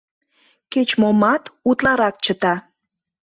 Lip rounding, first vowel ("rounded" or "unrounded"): unrounded